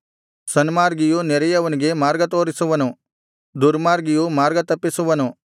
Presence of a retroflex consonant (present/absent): absent